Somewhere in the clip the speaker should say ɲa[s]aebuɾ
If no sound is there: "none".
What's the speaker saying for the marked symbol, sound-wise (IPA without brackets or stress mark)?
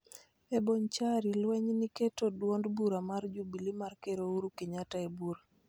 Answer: t